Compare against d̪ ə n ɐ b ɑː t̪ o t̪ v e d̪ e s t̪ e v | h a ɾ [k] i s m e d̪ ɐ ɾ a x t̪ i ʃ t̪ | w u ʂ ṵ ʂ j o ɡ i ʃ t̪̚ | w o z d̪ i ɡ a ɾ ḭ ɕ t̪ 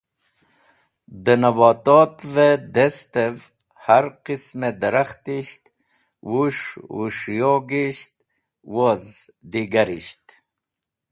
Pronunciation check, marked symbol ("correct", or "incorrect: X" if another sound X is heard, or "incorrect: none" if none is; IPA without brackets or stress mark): incorrect: q